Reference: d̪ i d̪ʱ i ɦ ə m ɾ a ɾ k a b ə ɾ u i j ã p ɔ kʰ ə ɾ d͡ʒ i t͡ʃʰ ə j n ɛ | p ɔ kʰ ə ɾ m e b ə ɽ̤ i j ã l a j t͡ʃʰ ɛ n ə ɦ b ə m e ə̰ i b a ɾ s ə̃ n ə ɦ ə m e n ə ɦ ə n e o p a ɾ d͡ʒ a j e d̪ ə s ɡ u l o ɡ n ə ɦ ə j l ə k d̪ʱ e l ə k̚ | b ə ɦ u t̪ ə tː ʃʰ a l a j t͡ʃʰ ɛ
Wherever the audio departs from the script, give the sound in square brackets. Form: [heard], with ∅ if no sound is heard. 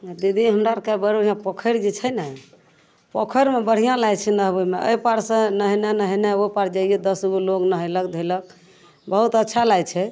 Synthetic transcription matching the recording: d̪ i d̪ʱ i ɦ ə m ɾ a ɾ k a b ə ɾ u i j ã p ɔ kʰ ə ɾ d͡ʒ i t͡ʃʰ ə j n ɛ | p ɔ kʰ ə ɾ m e b ə ɽ̤ i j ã l a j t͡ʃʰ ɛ n ə ɦ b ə m e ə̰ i [p] a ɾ s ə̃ n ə ɦ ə [n] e n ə ɦ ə n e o p a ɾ d͡ʒ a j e d̪ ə s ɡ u l o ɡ n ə ɦ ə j l ə k d̪ʱ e l ə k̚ | b ə ɦ u t̪ ə tː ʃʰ a l a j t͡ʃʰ ɛ